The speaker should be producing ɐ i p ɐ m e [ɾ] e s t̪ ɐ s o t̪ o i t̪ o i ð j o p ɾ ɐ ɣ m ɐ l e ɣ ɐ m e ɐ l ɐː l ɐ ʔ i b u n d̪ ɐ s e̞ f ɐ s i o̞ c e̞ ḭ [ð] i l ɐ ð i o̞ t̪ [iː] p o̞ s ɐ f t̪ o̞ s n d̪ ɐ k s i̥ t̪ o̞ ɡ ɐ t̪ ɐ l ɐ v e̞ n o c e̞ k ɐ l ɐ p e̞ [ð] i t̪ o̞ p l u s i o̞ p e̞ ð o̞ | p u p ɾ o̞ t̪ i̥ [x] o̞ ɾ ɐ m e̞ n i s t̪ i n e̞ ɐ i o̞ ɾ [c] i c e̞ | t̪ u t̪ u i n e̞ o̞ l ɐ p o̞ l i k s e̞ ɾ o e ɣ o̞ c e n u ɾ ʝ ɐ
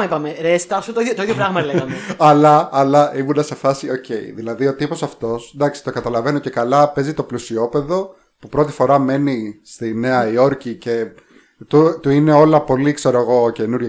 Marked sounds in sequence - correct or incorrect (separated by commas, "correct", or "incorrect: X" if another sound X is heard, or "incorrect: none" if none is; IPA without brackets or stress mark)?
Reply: correct, correct, incorrect: i, incorrect: z, incorrect: f, correct